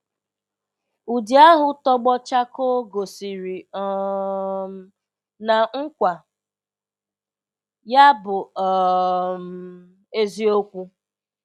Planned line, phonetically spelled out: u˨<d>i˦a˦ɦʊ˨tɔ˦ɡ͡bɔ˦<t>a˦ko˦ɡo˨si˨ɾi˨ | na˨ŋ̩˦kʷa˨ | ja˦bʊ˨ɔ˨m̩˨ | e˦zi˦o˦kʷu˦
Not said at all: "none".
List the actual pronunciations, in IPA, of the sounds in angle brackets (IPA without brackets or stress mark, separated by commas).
d, t͡ʃ